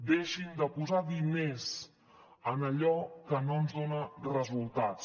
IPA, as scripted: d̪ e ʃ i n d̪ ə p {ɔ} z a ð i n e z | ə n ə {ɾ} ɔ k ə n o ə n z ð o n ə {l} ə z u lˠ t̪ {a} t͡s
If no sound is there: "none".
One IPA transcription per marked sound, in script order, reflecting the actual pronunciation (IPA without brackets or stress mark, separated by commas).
u, ʎ, r, a